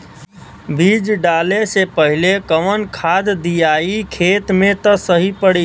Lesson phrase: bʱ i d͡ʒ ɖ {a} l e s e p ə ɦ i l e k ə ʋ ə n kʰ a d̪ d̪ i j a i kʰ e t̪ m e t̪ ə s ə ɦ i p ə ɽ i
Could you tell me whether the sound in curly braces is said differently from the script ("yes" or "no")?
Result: no